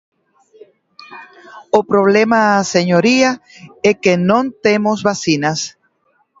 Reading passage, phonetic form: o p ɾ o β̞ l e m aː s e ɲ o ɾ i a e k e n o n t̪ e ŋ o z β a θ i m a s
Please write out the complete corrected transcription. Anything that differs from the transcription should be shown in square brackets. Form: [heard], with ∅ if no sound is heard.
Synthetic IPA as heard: o p ɾ o β̞ l e m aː s e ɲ o ɾ i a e k e n [õ] n t̪ e [m] o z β a [s] i [n] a s